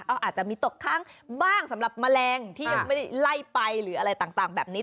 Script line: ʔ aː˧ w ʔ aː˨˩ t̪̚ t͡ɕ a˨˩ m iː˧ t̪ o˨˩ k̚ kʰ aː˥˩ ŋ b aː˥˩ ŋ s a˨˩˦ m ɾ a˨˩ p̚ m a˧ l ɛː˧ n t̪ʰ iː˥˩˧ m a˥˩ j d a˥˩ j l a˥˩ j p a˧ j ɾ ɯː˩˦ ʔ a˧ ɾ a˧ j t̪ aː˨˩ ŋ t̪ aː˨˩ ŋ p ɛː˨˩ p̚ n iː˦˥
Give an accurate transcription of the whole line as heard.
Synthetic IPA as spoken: ʔ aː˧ w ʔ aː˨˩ t̪̚ t͡ɕ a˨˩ m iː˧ t̪ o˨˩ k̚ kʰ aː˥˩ ŋ b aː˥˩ ŋ s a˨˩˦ m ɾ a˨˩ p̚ m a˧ l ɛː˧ ŋ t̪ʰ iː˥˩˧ m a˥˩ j d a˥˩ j l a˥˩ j p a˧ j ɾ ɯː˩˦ ʔ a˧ ɾ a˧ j t̪ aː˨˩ ŋ t̪ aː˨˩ ŋ b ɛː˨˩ p̚ n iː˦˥